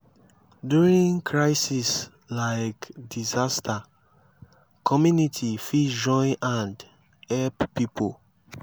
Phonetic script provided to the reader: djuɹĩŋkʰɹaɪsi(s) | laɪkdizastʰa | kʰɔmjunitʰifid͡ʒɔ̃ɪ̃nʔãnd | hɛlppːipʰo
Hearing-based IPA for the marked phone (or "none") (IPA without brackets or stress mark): s